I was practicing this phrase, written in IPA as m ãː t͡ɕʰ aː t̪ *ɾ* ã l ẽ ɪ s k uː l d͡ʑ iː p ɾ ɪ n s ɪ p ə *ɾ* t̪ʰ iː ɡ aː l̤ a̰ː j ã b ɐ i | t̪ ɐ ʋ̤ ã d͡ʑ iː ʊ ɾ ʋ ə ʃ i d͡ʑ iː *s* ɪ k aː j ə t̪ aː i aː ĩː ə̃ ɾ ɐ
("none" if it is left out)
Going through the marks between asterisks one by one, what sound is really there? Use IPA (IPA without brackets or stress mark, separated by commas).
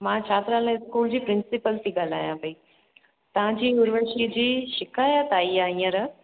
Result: ɾ, l, ʃ